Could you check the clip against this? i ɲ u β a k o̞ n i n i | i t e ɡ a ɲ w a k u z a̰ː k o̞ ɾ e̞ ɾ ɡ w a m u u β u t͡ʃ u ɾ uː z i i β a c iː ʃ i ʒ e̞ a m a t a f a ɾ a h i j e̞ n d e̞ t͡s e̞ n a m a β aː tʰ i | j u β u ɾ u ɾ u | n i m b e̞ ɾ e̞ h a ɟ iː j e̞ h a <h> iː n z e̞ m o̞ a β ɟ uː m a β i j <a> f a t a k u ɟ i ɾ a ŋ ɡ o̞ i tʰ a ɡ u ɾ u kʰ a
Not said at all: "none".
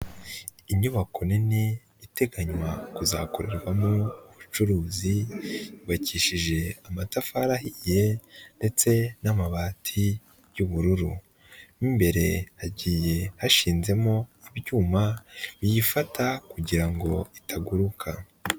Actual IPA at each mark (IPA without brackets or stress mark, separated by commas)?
ʃ, i